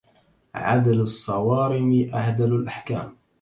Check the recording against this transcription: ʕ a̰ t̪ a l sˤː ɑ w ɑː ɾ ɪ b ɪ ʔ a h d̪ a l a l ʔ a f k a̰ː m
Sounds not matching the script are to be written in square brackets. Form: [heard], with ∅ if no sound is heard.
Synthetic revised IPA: ʕ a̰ [d̪] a l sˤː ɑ w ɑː ɾ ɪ [m] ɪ ʔ a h d̪ a l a l ʔ a [ħ] k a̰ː m